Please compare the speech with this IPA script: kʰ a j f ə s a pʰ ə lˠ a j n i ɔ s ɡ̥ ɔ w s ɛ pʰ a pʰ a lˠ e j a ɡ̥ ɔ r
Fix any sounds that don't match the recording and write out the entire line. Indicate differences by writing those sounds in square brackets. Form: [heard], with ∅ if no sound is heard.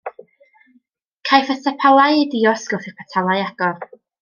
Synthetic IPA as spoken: kʰ a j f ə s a pʰ [a] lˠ a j [d] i ɔ s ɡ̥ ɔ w [θ] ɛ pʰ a [tʰ] a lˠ [a] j a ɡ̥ ɔ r

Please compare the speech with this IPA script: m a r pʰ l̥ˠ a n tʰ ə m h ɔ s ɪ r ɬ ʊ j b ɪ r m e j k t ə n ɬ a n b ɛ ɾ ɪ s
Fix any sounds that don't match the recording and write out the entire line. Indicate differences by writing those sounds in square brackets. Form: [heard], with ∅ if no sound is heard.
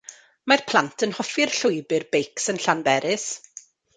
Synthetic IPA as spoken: m a r pʰ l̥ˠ a n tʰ ə [n] h ɔ [f] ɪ r ɬ ʊ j b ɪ r [b] e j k [s] ə n ɬ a n b ɛ ɾ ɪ s

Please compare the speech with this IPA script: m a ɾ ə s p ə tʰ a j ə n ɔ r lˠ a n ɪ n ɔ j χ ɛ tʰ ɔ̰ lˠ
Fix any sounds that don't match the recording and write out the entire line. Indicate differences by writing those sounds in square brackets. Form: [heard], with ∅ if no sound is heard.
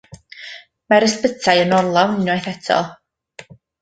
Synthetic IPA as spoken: m a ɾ ə s p ə tʰ a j ə n ɔ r lˠ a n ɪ n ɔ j [θ] ɛ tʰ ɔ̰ lˠ

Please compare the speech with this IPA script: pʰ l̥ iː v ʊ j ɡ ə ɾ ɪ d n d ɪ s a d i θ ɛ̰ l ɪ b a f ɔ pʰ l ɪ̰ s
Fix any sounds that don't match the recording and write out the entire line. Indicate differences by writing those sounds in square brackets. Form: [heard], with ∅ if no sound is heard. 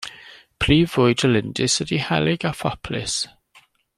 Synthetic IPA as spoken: pʰ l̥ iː v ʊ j [d] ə [l] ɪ [∅] n d ɪ s [ə] d i [h] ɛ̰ l ɪ [ɡ] a f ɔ pʰ l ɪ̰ s

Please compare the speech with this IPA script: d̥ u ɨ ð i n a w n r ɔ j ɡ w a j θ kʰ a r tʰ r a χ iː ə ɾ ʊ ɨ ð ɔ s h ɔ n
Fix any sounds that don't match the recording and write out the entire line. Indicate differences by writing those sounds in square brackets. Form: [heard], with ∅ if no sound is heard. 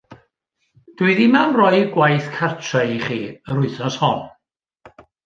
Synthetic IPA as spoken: d̥ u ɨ ð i [m] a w n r ɔ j ɡ w a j θ kʰ a r tʰ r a χ iː ə ɾ ʊ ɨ [θ] ɔ s h ɔ n

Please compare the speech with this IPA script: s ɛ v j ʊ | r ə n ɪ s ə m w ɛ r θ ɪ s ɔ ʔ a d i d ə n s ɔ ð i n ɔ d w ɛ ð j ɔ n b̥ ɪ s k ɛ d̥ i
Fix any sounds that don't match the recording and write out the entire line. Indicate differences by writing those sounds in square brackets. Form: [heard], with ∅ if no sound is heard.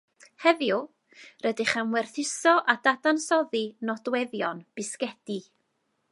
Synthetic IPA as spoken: [h] ɛ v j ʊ | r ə [d] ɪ [χ] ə m w ɛ r θ ɪ s ɔ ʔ a d [a] d [a] n s ɔ ð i n ɔ d w ɛ ð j ɔ n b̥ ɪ s k ɛ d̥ i

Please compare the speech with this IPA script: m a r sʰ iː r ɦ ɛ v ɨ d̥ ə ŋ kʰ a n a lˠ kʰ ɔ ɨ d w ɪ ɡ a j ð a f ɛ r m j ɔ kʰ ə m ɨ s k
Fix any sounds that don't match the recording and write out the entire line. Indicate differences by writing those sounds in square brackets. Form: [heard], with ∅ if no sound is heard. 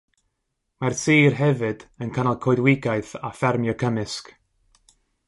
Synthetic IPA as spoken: m a r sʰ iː r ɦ ɛ v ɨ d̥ ə [n] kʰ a n a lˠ kʰ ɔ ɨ d w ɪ ɡ a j [θ] a f ɛ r m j ɔ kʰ ə m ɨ s k

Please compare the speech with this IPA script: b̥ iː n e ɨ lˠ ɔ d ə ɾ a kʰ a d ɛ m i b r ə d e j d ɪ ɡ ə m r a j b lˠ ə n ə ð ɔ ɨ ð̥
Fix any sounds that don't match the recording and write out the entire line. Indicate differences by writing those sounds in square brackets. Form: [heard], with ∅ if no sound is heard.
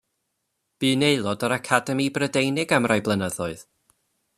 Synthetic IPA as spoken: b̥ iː n e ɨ lˠ ɔ d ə ɾ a kʰ a d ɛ m i b r ə d e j [n] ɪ ɡ [a] m r a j b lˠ ə n ə ð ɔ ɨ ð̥

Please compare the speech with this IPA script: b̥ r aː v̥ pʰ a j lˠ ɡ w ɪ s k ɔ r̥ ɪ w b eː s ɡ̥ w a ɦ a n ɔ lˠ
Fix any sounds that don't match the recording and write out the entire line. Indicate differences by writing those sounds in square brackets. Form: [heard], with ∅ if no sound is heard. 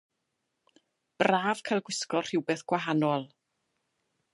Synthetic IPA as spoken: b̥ r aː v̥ [kʰ] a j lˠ ɡ w ɪ s k ɔ r̥ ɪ w b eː [θ] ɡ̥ w a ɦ a n ɔ lˠ

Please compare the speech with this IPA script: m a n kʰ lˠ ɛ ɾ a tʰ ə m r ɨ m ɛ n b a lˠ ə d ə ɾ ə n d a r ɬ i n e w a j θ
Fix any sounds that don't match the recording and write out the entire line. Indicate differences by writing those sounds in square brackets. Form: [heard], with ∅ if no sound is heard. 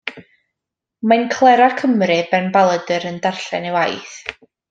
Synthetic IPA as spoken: m a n kʰ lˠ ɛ ɾ a [kʰ] ə m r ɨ [b] ɛ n b a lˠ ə d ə ɾ ə n d a r ɬ [ɛ] n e w a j θ

